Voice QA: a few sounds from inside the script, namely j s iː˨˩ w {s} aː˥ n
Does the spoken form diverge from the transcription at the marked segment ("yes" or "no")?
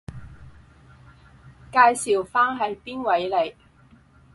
yes